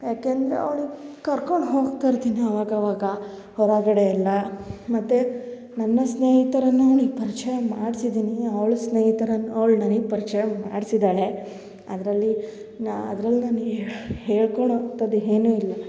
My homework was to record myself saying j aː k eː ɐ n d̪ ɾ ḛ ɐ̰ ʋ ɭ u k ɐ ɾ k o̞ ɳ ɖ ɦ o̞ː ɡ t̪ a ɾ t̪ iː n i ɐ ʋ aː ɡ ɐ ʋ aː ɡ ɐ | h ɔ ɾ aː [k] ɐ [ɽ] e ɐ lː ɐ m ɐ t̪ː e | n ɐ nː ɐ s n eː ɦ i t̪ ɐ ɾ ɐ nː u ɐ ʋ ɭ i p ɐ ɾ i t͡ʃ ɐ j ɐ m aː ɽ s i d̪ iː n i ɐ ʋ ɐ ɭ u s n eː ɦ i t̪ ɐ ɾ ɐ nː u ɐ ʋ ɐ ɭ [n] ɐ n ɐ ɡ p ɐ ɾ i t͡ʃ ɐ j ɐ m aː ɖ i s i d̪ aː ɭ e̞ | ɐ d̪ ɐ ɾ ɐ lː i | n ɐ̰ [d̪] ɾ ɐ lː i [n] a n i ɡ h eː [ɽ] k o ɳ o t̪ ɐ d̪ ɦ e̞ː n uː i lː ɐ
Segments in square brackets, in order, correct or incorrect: incorrect: ɡ, correct, correct, correct, correct, incorrect: ɭ

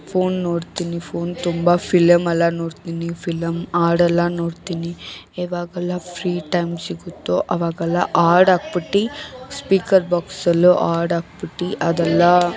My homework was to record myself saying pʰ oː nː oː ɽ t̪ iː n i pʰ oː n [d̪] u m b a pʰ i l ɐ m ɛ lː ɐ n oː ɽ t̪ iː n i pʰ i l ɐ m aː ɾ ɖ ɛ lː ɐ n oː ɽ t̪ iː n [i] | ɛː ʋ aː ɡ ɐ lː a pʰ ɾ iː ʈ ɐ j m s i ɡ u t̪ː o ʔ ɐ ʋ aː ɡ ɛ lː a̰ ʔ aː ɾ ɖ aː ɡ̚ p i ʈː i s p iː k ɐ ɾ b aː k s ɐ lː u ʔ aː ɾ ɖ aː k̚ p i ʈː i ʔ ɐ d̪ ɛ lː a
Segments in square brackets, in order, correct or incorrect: incorrect: t̪, correct

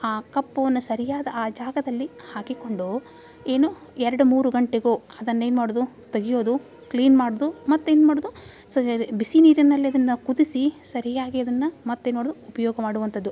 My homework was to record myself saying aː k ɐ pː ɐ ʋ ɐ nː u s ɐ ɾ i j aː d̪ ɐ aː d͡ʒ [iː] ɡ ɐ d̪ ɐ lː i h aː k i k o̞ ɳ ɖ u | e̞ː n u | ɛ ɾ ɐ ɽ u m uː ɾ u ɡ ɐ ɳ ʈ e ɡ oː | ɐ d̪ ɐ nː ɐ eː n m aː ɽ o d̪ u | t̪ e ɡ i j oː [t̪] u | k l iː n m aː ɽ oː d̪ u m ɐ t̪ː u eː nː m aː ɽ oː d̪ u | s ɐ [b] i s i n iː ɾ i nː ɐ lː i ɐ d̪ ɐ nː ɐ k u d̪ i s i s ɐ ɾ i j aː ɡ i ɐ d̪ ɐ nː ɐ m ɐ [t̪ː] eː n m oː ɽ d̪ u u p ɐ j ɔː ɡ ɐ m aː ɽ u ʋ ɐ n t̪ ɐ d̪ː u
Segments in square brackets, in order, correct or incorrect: incorrect: aː, incorrect: d̪, correct, correct

